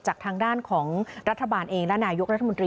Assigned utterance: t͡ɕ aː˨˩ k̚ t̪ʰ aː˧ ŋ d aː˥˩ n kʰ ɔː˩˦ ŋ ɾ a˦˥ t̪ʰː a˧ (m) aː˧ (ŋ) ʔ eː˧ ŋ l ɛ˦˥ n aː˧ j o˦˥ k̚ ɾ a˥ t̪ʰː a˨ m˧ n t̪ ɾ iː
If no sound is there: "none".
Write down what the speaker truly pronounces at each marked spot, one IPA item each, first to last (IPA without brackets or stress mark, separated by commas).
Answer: b, n